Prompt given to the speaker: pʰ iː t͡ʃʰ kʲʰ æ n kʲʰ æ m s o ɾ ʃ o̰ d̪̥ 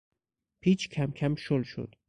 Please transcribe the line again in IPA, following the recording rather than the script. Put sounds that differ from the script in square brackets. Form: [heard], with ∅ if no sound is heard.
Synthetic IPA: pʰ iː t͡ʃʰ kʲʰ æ [m] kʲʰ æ m [ʃ] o [l] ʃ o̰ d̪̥